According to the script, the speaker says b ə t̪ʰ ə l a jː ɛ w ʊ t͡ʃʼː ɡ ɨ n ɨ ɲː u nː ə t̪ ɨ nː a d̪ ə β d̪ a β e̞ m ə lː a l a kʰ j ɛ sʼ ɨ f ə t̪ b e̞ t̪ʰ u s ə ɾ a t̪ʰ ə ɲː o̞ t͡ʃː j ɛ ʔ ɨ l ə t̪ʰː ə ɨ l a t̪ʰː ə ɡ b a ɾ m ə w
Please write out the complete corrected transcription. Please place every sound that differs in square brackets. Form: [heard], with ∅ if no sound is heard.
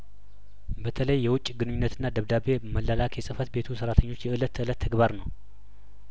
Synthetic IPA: b ə t̪ʰ ə l [ə] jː ɛ w ʊ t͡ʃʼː ɡ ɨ n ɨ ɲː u nː ə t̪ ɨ nː a d̪ ə β d̪ a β e̞ m ə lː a l a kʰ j ɛ sʼ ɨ f ə t̪ b e̞ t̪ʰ u s ə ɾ a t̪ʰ ə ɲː o̞ t͡ʃː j ɛ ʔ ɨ l ə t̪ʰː ə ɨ l [ə] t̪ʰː ə ɡ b a ɾ [n] ə w